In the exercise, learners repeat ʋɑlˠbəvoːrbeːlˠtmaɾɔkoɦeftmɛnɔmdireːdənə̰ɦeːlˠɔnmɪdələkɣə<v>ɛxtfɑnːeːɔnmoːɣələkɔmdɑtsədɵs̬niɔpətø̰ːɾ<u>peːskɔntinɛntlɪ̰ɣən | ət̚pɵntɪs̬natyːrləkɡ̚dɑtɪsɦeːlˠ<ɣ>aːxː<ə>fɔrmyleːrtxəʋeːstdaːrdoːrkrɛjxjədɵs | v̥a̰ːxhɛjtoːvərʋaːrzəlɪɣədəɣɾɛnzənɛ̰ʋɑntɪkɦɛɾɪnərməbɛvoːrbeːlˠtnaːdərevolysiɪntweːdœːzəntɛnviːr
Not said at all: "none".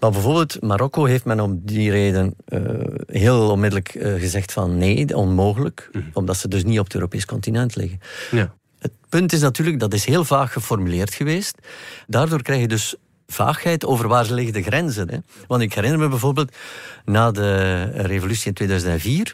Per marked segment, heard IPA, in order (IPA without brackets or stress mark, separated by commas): z, o, v, ə